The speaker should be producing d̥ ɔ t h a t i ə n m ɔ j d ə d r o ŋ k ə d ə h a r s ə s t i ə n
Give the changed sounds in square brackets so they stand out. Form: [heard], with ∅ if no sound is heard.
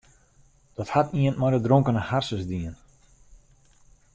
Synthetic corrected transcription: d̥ ɔ t h a t i ə n m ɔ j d ə d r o ŋ k ə [n] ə h a r s ə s [d] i ə n

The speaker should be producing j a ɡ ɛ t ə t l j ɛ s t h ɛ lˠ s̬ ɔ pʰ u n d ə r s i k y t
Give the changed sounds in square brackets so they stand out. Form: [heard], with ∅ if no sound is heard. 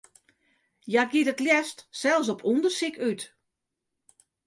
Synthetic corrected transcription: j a ɡ [i] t ə t l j ɛ s t [s] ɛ lˠ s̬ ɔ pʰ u n d ə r s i k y t

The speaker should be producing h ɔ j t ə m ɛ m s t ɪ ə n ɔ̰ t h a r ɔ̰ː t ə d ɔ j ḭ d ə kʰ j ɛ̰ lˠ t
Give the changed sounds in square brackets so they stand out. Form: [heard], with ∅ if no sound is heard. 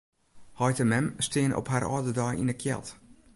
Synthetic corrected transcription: h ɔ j t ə m ɛ m s t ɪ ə n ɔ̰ [p] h a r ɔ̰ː [d] ə d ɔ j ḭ [n] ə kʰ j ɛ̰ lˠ t

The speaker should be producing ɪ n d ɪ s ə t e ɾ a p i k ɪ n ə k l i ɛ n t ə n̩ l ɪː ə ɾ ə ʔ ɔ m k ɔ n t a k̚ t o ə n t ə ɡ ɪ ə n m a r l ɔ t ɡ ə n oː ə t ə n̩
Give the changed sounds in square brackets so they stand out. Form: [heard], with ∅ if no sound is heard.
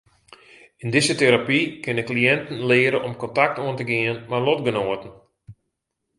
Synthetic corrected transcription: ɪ n d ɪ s ə t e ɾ a p i k ɪ n ə k l i ɛ n t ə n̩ l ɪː ə ɾ ə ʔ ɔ m k ɔ n t a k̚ t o ə n t ə ɡ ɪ ə n m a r l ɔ t ɡ ə n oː ə t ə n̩

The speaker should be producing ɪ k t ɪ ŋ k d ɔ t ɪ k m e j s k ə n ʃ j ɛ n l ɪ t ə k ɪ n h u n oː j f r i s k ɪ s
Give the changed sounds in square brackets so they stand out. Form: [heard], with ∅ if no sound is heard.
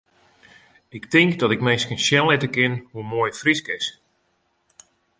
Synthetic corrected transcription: ɪ k t ɪ ŋ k d ɔ t ɪ k m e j s k ə n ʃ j ɛ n l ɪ t ə k ɪ n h u [m] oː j f r i s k ɪ s

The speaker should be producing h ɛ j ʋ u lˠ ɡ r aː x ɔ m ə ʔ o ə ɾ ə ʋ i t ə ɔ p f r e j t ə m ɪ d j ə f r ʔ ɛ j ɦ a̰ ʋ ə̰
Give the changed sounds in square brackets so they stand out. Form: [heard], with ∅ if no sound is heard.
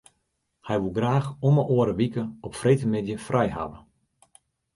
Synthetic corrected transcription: h ɛ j ʋ u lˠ ɡ r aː x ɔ m ə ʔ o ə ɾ ə ʋ i [k] ə ɔ p f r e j t ə m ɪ d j ə f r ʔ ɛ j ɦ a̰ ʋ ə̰

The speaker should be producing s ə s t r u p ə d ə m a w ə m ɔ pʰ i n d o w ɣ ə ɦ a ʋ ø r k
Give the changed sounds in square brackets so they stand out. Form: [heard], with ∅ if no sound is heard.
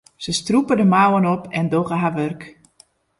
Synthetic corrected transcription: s ə s t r u p ə d ə m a w ə [n] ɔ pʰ [ɛ] n d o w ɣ ə ɦ a ʋ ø r k

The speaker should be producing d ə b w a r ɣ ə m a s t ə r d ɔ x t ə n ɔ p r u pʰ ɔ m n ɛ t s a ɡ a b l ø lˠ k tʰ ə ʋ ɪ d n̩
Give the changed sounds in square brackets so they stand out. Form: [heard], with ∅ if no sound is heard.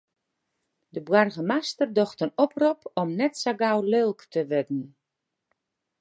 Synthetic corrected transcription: d ə b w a r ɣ ə m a s t ə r d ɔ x t ə n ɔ p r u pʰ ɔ m n ɛ t s a ɡ a [w] l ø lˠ k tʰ ə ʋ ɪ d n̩

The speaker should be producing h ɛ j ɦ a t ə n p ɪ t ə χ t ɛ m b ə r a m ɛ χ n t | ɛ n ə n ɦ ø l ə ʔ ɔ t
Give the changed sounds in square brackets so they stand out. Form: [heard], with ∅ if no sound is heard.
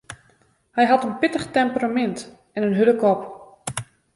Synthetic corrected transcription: h ɛ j ɦ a t ə n p ɪ t ə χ t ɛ m [p] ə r a m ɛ [∅] n t | ɛ n ə n ɦ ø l ə [k] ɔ [p]

